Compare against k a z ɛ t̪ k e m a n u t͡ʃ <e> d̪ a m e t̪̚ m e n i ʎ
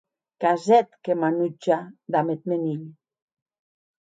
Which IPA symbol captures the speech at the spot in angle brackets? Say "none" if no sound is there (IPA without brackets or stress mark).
a